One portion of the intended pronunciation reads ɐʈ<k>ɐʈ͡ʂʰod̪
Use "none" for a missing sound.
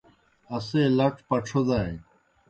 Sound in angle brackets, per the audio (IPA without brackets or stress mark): p